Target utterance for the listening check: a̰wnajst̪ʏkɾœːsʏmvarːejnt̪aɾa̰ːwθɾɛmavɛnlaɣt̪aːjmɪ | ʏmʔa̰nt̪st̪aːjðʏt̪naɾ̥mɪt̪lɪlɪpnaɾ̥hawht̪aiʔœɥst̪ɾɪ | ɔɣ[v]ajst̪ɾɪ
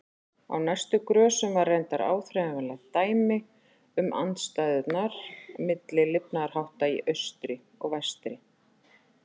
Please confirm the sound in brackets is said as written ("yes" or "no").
yes